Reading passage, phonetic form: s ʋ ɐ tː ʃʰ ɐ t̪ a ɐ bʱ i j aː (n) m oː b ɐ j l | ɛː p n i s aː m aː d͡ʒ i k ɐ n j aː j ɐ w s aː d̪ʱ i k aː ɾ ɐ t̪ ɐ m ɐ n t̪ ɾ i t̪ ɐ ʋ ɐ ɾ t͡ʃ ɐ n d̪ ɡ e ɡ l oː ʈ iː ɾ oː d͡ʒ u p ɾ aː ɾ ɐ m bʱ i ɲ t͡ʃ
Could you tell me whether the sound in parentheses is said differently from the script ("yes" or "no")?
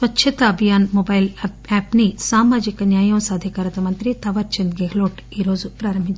no